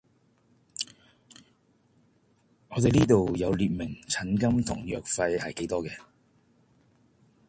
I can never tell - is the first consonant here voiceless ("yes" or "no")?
no